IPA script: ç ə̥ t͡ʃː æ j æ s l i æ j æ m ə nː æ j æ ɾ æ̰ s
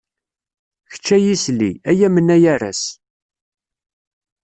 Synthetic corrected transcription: ç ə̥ t͡ʃː æ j i s l i æ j æ m ə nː æ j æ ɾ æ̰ s